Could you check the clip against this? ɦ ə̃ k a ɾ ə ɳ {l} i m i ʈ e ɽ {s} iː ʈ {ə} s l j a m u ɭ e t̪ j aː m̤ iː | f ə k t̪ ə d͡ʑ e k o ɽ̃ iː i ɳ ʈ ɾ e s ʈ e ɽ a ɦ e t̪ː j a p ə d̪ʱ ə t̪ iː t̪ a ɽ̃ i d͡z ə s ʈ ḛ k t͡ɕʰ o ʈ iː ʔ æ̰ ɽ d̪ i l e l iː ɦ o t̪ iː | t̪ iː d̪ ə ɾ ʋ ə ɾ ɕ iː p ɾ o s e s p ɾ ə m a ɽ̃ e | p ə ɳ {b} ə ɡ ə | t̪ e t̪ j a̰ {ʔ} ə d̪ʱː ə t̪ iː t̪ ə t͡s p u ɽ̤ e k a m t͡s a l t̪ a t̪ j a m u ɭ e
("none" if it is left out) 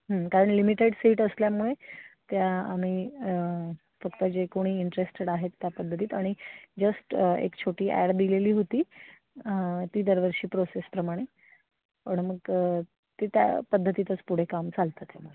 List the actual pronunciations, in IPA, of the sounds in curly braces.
l, s, ə, m, p

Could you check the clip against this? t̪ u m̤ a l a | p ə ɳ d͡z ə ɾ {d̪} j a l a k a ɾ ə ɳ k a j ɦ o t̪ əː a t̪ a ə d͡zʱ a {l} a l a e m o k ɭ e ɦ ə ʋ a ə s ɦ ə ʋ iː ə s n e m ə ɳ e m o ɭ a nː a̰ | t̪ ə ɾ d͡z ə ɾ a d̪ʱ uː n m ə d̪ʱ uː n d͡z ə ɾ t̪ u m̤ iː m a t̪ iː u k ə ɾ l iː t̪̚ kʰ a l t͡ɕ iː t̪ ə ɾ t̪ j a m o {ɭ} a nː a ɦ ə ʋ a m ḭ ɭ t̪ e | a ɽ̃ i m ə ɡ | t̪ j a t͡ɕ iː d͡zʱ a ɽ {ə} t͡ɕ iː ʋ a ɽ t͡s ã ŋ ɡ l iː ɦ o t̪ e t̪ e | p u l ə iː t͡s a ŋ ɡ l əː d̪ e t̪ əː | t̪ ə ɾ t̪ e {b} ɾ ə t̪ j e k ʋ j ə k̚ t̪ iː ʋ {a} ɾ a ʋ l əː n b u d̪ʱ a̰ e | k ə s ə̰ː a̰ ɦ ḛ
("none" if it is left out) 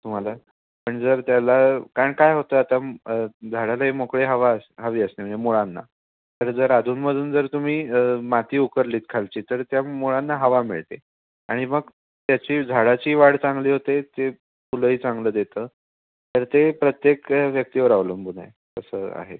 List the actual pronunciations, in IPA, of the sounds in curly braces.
t̪, ɽ, ɭ, a, p, ə

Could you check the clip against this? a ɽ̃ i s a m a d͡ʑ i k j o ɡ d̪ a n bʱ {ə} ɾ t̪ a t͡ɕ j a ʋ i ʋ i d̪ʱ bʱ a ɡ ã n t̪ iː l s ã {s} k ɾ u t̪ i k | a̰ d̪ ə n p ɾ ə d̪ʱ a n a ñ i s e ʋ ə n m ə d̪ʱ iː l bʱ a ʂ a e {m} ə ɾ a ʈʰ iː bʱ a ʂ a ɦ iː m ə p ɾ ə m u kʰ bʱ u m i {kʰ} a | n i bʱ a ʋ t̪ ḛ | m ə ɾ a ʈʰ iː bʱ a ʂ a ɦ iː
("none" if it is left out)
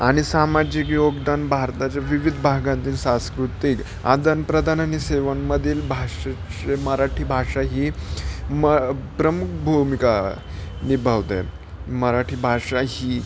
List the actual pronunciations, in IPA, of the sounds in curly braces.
a, s, m, k

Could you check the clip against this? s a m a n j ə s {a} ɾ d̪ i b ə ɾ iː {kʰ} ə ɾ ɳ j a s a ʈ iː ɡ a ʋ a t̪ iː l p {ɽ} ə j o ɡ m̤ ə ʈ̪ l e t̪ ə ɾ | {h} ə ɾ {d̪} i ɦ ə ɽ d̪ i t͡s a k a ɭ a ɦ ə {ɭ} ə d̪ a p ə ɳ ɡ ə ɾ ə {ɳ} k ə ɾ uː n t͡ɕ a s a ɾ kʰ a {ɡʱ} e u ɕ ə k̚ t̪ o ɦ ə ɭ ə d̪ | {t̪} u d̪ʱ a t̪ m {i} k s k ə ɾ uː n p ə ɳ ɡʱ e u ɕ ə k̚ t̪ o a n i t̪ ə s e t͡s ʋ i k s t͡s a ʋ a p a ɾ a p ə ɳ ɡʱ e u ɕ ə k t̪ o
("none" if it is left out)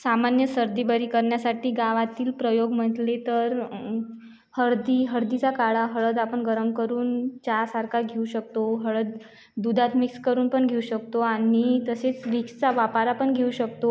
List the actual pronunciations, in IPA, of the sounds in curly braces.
ə, k, ɾ, h, d̪, ɭ, m, ɡʱ, d̪, i

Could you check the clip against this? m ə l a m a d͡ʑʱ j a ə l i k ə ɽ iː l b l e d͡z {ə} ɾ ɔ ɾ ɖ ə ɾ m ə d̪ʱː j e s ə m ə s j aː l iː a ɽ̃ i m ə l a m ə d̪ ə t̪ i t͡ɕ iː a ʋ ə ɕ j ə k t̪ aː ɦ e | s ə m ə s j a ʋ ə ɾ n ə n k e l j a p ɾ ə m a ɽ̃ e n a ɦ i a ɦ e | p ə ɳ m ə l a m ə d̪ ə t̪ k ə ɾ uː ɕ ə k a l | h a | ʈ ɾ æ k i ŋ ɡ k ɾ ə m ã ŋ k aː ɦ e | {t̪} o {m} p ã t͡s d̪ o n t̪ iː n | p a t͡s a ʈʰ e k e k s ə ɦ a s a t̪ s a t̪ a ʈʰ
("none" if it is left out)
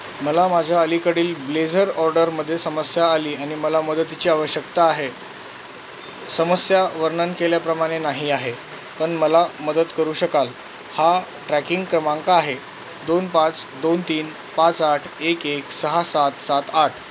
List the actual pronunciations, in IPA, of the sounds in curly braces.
ə, d̪, n

